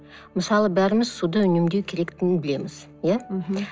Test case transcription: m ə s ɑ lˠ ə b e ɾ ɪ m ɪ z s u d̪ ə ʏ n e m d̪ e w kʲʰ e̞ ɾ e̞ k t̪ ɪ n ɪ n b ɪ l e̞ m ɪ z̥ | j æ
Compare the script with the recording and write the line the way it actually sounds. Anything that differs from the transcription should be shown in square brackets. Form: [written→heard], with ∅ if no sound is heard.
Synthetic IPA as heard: m ə s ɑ lˠ ə b [e→æ] ɾ ɪ m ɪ z s u d̪ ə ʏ n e m d̪ e w kʲʰ e̞ ɾ e̞ k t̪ ɪ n ɪ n b ɪ l e̞ m ɪ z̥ | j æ